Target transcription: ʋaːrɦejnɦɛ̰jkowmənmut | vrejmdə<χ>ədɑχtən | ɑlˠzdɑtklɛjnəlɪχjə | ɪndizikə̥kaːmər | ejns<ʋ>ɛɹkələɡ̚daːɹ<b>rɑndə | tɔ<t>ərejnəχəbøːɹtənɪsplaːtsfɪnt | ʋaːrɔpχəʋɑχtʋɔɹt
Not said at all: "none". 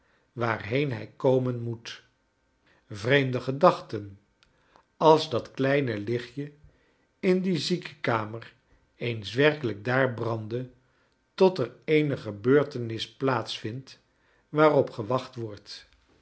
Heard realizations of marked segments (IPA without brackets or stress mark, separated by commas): χ, ʋ, b, t